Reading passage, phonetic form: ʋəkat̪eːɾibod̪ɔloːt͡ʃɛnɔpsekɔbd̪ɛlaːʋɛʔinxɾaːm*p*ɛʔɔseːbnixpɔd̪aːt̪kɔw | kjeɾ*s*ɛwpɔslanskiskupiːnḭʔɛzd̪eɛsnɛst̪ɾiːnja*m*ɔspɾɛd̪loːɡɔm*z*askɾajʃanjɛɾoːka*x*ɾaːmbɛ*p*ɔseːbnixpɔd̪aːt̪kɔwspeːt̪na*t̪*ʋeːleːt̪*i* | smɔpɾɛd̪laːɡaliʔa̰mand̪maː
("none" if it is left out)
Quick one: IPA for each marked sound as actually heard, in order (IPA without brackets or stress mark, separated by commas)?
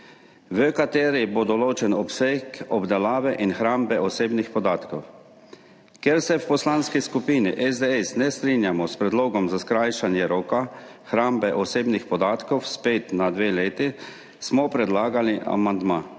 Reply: b, s, m, z, x, ʔ, d̪, i